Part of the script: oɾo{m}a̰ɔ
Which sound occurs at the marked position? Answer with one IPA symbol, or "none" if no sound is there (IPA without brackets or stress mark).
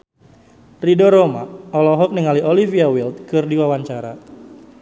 m